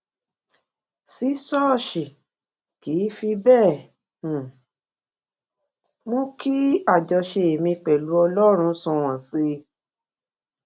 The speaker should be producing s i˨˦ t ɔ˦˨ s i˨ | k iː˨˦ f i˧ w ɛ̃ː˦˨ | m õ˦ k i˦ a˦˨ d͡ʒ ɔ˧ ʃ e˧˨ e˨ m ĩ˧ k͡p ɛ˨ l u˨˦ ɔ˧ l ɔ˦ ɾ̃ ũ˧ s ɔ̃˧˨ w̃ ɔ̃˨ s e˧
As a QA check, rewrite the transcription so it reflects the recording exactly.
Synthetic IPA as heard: s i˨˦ s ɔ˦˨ ʃ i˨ | k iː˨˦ f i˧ b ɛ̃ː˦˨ | m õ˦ k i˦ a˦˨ d͡ʒ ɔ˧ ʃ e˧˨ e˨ m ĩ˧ k͡p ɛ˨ l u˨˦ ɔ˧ l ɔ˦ ɾ̃ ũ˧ s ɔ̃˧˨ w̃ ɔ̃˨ s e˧